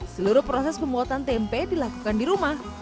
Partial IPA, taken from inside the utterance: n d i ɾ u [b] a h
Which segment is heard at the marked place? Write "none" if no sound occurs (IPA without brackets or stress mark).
m